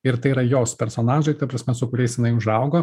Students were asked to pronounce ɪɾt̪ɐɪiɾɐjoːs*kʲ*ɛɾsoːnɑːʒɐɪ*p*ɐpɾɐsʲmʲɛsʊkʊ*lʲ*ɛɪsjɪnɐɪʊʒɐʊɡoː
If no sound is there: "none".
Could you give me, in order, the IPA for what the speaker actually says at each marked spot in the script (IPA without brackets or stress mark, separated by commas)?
pʲ, k, ɾʲ